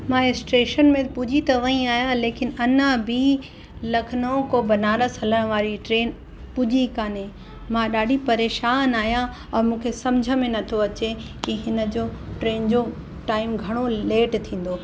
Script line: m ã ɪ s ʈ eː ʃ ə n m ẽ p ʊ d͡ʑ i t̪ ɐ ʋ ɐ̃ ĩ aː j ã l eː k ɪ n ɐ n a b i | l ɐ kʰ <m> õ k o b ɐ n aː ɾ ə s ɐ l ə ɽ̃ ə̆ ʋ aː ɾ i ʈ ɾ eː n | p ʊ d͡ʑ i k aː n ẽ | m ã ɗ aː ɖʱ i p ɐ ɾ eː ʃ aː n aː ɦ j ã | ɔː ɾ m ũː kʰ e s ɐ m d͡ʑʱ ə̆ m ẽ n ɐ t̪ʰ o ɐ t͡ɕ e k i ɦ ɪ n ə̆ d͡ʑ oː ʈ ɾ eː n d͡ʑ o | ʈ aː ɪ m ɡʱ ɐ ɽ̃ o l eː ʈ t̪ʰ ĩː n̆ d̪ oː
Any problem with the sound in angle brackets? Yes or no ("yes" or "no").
yes